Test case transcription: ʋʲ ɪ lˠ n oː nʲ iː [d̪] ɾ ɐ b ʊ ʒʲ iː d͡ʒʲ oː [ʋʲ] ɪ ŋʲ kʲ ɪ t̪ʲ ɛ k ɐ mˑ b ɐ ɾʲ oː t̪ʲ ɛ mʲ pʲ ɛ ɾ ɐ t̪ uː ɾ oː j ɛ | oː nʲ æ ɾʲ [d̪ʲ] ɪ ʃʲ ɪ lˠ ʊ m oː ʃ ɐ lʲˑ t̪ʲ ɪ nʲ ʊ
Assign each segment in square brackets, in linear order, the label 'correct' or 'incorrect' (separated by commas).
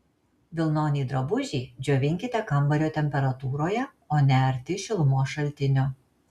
correct, correct, incorrect